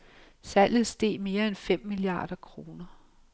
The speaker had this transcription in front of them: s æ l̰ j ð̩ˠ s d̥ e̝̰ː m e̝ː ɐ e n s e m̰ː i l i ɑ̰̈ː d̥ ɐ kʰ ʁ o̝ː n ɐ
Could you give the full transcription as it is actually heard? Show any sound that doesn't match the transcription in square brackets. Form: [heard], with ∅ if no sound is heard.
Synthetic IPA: s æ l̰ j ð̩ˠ s d̥ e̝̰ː m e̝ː ɐ e n [f] e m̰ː i l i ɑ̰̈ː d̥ ɐ kʰ ʁ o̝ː n ɐ